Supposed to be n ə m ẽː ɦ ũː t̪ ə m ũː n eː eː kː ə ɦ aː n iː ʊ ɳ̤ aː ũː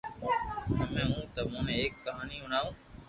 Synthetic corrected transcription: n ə m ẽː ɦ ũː t̪ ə m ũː n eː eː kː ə ɦ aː n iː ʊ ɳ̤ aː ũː